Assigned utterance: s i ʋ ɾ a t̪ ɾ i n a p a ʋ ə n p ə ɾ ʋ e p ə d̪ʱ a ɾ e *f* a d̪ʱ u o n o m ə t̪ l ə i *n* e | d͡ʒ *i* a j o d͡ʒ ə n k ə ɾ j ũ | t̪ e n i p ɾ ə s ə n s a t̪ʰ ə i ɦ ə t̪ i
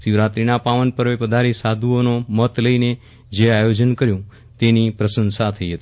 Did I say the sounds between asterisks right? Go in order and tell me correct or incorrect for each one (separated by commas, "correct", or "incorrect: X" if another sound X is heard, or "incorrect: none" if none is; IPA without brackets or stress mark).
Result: incorrect: s, correct, incorrect: e